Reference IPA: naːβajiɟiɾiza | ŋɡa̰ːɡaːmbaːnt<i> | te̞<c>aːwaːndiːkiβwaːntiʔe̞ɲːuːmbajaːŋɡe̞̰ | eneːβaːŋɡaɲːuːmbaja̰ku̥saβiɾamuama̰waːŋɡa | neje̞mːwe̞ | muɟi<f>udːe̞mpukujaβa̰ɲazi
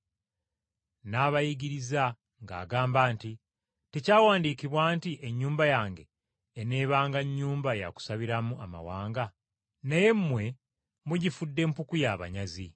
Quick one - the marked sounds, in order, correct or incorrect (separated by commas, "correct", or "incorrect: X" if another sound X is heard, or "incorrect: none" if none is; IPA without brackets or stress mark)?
correct, correct, correct